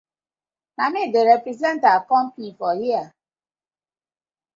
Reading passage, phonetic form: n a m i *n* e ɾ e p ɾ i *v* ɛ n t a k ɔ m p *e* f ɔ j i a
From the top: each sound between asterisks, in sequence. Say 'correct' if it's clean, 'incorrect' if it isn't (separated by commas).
incorrect, incorrect, incorrect